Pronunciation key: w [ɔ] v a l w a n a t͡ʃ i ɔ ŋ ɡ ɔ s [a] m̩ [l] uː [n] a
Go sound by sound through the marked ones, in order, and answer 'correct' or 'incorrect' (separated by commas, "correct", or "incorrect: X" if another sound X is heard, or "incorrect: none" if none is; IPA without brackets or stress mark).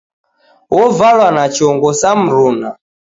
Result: correct, correct, incorrect: ɾ, correct